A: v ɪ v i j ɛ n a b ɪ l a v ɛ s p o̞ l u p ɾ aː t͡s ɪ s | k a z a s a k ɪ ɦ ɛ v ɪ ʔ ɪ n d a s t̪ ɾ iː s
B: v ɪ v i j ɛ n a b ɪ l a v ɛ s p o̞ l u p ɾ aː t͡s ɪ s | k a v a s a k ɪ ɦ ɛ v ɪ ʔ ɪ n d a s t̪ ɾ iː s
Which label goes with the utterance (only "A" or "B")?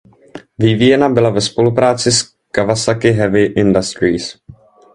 B